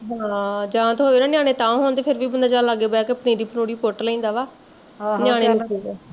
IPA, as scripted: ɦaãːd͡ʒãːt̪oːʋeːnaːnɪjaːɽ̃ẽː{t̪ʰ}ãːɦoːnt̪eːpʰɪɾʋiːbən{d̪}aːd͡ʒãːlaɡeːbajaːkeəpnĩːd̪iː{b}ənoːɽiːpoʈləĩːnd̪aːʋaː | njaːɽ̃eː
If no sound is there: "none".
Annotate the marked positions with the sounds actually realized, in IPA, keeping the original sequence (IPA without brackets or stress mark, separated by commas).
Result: t̪, d̪, p